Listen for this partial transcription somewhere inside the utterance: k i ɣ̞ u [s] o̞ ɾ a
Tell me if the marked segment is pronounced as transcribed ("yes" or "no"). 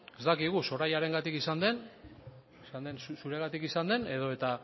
yes